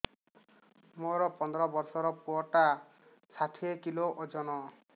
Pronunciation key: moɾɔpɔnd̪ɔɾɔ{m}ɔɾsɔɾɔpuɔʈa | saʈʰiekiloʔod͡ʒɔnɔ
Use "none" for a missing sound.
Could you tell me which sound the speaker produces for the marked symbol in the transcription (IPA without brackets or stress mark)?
b